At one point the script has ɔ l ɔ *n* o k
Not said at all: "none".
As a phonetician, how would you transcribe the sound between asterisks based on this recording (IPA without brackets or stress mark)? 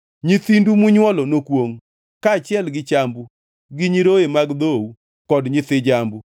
n